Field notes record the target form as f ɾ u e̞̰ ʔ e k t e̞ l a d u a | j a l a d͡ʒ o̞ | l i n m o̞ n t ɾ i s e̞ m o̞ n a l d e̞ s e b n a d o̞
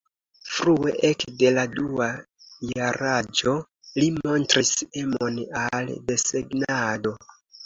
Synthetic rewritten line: f ɾ u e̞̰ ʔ e k d e̞ l a d u a | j a ɾ a d͡ʒ o̞ | l i m o̞ n t ɾ i s e̞ m o̞ n a l d e̞ s e ɡ n a d o̞